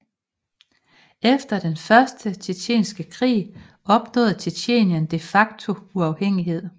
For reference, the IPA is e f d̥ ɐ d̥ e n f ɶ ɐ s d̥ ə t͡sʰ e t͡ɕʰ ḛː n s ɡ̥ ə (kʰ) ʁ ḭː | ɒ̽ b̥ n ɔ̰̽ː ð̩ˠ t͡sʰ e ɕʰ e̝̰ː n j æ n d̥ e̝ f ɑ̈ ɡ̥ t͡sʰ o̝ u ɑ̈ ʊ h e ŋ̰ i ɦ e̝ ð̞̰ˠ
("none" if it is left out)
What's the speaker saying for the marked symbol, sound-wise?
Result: kʰ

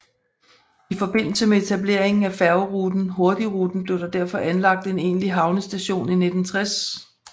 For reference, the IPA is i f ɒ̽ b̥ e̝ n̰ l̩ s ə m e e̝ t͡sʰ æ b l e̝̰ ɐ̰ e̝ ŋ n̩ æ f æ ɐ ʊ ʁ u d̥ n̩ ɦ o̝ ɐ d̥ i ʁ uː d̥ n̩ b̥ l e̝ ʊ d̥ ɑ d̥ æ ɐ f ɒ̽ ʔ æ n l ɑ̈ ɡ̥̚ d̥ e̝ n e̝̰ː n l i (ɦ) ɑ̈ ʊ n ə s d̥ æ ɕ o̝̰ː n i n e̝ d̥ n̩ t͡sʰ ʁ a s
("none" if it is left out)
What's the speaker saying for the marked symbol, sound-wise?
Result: ɦ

